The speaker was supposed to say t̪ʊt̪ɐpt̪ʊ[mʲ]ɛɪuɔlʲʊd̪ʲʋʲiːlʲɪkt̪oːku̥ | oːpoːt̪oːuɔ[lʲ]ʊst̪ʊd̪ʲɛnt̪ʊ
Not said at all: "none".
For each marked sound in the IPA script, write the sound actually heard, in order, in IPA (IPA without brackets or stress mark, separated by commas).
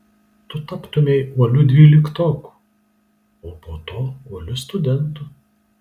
mʲ, lʲ